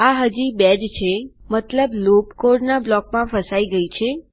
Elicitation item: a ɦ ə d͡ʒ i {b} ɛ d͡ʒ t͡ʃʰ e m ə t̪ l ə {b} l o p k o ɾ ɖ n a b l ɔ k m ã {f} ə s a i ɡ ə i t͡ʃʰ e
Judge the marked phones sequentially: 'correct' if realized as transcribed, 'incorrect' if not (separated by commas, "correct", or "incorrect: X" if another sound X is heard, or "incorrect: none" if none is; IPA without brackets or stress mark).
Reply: correct, correct, correct